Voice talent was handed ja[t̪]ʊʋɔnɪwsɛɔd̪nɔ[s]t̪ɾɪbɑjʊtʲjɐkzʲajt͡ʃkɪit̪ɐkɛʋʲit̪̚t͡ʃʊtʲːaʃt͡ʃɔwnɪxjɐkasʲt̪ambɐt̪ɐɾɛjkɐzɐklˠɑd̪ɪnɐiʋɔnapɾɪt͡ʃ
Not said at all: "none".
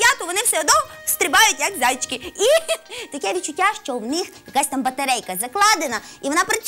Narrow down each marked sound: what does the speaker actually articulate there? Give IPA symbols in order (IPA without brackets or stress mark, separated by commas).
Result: t̪, s